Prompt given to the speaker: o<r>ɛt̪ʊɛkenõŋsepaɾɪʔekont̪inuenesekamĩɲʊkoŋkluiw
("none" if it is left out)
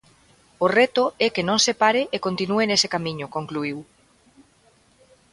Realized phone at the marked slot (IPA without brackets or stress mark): r